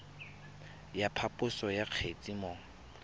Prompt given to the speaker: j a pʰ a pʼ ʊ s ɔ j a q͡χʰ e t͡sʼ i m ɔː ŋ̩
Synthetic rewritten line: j a pʰ a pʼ ʊ s ɔ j a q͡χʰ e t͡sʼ i m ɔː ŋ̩